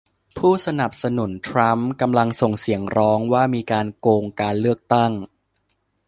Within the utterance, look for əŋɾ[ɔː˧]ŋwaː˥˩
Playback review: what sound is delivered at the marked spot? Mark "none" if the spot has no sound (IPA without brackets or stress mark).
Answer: ɔː˦˥